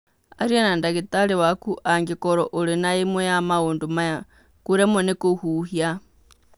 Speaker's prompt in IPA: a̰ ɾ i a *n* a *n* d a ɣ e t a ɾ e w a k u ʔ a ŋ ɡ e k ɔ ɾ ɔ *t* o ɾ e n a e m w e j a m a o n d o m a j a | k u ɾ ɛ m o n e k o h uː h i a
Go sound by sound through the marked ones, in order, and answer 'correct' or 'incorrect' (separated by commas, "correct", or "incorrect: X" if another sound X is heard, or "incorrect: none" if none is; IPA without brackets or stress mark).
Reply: correct, correct, incorrect: ʔ